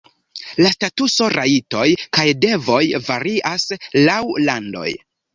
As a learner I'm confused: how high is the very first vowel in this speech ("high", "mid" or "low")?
low